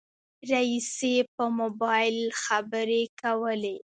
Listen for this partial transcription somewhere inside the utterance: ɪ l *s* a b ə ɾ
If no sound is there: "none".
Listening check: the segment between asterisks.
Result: x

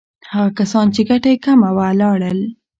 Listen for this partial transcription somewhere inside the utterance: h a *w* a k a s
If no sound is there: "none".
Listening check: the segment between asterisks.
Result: ɣ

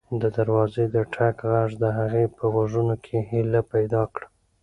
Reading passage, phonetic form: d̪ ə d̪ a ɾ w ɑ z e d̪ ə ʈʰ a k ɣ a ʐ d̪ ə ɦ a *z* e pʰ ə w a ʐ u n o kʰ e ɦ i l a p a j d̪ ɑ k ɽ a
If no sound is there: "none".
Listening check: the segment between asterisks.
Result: ɣ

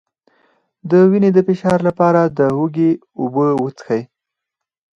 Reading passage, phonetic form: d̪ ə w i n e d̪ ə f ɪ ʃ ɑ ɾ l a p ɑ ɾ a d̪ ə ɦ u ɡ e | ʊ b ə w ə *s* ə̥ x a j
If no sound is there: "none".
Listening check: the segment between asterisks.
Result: t͡s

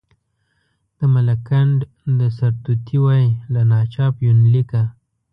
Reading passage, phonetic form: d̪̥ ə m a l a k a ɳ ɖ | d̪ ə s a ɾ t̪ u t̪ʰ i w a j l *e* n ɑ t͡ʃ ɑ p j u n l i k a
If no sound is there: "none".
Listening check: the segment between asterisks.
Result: a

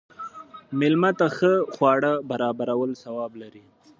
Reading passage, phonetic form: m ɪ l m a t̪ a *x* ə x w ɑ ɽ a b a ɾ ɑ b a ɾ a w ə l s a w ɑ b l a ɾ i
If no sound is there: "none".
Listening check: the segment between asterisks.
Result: x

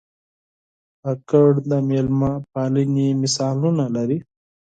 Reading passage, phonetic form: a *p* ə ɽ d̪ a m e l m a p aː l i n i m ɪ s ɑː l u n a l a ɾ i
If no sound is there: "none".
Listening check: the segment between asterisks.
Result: k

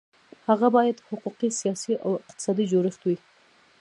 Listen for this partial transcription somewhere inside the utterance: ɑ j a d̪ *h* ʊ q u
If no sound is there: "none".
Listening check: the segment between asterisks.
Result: h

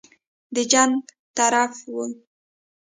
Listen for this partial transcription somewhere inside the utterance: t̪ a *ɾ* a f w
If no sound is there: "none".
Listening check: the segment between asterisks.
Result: ɾ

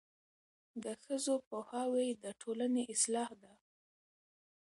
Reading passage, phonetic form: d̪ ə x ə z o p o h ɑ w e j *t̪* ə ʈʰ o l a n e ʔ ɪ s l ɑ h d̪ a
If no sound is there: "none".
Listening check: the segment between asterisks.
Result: d̪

